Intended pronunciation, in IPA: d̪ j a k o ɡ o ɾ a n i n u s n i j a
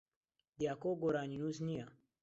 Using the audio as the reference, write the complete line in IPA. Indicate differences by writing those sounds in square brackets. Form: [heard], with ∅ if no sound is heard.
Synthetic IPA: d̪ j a k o ɡ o ɾ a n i n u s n i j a